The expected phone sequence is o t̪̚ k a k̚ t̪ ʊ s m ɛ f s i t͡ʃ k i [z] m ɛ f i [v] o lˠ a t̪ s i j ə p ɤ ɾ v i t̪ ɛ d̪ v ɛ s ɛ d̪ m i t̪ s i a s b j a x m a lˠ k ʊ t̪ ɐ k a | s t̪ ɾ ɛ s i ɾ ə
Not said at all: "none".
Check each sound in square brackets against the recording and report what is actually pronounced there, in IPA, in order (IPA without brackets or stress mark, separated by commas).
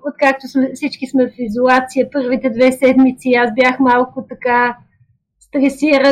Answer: s, z